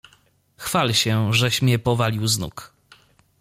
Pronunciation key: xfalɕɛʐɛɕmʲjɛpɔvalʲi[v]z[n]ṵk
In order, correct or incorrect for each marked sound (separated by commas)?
incorrect, correct